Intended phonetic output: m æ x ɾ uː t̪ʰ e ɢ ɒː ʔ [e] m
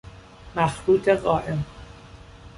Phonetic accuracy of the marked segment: correct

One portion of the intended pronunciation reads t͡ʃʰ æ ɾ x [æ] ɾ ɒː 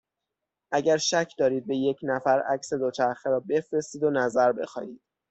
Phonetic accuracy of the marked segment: incorrect: e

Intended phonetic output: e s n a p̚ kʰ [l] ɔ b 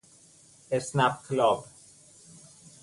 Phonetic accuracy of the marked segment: correct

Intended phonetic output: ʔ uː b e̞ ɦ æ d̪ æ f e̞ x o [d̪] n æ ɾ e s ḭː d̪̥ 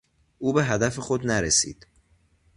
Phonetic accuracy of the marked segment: correct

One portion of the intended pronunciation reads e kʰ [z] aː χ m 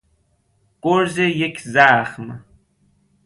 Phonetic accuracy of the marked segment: correct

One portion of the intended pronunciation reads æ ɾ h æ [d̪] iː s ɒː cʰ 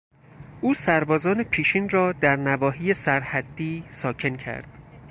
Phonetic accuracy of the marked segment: incorrect: d̪ː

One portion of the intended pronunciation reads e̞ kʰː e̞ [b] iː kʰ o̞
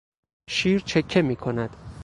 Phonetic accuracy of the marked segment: incorrect: m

